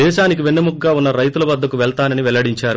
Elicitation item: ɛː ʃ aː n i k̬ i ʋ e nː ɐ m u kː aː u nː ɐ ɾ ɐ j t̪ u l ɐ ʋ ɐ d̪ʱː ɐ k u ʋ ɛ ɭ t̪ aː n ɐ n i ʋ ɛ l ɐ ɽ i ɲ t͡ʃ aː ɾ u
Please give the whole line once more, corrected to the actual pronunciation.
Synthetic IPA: ɛː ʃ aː n i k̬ i ʋ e nː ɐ m u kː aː u nː ɐ ɾ ɐ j t̪ u l ɐ ʋ ɐ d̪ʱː ɐ k u ʋ ɛ ɭ t̪ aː n ɐ n i ʋ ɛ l ɐ ɽ i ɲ t͡ʃ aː ɾ u

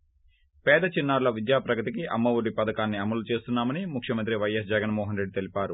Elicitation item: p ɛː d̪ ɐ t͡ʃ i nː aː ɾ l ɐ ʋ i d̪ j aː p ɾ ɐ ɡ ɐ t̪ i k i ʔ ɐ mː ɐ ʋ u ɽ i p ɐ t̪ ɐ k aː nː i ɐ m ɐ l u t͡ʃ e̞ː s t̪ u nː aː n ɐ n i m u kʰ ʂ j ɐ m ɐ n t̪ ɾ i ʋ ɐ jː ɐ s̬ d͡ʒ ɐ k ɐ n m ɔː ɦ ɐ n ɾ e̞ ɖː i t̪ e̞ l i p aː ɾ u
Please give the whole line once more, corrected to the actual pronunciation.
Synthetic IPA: p ɛː d̪ ɐ t͡ʃ i nː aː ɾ l ɐ ʋ i d̪ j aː p ɾ ɐ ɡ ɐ t̪ i k i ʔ ɐ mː ɐ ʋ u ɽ i p ɐ d̪ ɐ k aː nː i ɐ m ɐ l u t͡ʃ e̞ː s t̪ u nː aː m ɐ n i m u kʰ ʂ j ɐ m ɐ n t̪ ɾ i ʋ ɐ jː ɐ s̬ d͡ʒ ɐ ɡ ɐ n m ɔː ɦ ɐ n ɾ e̞ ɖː i t̪ e̞ l i p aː ɾ u

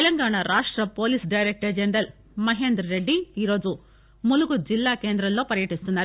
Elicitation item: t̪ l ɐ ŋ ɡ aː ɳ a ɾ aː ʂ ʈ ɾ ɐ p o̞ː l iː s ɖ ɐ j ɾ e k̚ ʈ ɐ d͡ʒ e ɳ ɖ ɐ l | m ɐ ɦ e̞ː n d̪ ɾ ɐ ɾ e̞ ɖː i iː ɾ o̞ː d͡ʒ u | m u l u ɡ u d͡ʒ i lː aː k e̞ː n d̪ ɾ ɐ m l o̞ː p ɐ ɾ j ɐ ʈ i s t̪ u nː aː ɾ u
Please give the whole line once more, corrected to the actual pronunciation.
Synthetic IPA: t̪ l ɐ ŋ ɡ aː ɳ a ɾ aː ʂ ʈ ɾ ɐ p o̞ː l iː s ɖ ɐ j ɾ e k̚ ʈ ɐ d͡ʒ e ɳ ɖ ɐ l | m ɐ ɦ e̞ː n d̪ ɾ ɐ ɾ e̞ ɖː i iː ɾ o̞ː d͡ʒ u | m u l u ɡ u d͡ʒ i lː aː k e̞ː n d̪ ɾ ɐ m l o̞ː p ɐ ɾ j ɐ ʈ i s t̪ u nː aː ɾ u

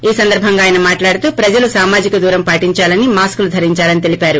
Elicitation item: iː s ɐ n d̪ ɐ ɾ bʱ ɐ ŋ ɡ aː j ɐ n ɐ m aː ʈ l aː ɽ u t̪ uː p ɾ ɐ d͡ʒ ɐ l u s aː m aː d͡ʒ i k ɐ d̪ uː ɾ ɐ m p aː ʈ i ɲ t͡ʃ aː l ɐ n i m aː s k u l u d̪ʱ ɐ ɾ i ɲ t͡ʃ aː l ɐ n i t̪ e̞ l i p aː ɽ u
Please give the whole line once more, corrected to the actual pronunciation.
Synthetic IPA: iː s ɐ n d̪ ɐ ɾ bʱ ɐ ŋ ɡ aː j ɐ n ɐ m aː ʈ l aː ɽ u t̪ uː p ɾ ɐ d͡ʒ ɐ l u s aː m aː d͡ʒ i k ɐ d̪ uː ɾ ɐ m p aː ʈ i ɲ t͡ʃ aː l ɐ n i m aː s k u l u d̪ʱ ɐ ɾ i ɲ t͡ʃ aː l ɐ n i t̪ e̞ l i p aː ɾ u

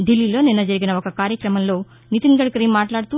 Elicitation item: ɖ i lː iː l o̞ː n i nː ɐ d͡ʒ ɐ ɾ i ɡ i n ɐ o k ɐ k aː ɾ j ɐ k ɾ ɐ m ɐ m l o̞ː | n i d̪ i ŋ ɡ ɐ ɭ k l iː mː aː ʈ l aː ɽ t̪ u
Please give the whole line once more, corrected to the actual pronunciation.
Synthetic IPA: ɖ i lː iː l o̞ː n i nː ɐ d͡ʒ ɐ ɾ i ɡ i n ɐ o k ɐ k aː ɾ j ɐ k ɾ ɐ m ɐ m l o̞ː | n i t̪ i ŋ ɡ ɐ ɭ k ɾ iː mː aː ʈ l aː ɽ t̪ u

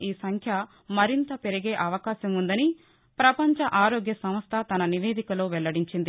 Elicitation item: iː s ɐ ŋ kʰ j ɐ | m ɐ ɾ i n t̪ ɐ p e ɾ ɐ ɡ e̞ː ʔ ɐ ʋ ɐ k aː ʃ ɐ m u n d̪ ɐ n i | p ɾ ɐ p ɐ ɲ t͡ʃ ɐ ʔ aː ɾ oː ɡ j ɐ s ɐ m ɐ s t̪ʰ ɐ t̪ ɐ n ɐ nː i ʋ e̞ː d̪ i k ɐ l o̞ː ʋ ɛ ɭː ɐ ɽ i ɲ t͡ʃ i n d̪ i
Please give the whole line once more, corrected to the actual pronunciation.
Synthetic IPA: iː s ɐ ŋ kʰ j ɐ | m ɐ ɾ i n t̪ ɐ p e ɾ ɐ ɡ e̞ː ʔ ɐ ʋ ɐ k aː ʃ ɐ m u n d̪ ɐ n i | p ɾ ɐ p ɐ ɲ t͡ʃ ɐ ʔ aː ɾ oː ɡ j ɐ s ɐ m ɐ s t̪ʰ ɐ t̪ ɐ n ɐ n i ʋ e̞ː d̪ i k ɐ l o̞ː ʋ ɛ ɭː ɐ ɽ i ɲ t͡ʃ i n d̪ i

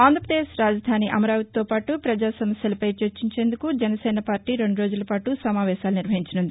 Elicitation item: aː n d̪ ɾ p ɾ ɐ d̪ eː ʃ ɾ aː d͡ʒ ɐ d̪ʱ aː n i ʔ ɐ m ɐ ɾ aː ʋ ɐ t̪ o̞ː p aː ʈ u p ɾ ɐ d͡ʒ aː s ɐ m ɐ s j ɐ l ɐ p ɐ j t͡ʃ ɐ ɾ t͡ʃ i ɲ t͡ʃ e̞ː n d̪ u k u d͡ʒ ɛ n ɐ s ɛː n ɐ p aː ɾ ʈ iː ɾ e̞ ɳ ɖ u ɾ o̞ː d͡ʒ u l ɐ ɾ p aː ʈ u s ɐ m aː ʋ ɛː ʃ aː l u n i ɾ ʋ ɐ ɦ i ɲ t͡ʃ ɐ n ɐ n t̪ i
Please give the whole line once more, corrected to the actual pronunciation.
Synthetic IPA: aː n d̪ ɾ p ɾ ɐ d̪ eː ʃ ɾ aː d͡ʒ ɐ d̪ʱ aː n i ʔ ɐ m ɐ ɾ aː ʋ ɐ t̪ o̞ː p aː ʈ u p ɾ ɐ d͡ʒ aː s ɐ m ɐ s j ɐ l ɐ p ɐ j t͡ʃ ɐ ɾ t͡ʃ i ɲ t͡ʃ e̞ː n d̪ u k u d͡ʒ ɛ n ɐ s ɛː n ɐ p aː ɾ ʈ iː ɾ e̞ ɳ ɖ u ɾ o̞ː d͡ʒ u l ɐ p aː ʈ u s ɐ m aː ʋ ɛː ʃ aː l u n i ɾ ʋ ɐ ɦ i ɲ t͡ʃ ɐ n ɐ n d̪ i

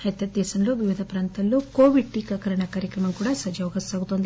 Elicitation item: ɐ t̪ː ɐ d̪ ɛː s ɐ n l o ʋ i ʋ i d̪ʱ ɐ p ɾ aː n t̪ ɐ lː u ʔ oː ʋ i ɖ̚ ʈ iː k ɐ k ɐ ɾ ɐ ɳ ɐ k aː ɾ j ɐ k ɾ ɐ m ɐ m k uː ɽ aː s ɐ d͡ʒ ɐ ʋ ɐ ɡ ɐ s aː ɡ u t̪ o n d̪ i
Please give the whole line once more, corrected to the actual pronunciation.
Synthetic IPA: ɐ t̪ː ɐ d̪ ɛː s ɐ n l o ʋ i ʋ i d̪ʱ ɐ p ɾ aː n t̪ ɐ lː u k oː ʋ i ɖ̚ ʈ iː k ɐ k ɐ ɾ ɐ ɳ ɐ k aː ɾ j ɐ k ɾ ɐ m ɐ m k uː ɽ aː s ɐ d͡ʒ ɐ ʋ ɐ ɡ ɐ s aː ɡ u t̪ o n d̪ i

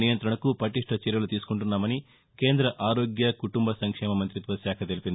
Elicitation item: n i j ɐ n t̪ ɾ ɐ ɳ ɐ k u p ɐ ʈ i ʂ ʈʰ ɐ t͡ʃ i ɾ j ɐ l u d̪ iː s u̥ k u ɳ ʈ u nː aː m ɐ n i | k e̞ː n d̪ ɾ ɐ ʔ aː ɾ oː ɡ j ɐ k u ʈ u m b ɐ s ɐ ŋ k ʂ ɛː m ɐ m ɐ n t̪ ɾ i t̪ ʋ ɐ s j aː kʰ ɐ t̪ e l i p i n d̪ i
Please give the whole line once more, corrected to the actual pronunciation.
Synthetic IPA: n i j ɐ n t̪ ɾ ɐ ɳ ɐ k u p ɐ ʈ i ʂ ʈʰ ɐ t͡ʃ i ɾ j ɐ l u t̪ iː s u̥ k u ɳ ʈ u nː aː m ɐ n i | k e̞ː n d̪ ɾ ɐ ʔ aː ɾ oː ɡ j ɐ k u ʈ u m b ɐ s ɐ ŋ k ʂ ɛː m ɐ m ɐ n t̪ ɾ i t̪ ʋ ɐ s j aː kʰ ɐ t̪ e l i p i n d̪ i

